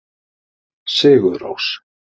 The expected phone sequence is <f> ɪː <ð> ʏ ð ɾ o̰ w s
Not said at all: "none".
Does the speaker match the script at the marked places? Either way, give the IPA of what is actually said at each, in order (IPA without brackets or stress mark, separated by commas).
s, ɣ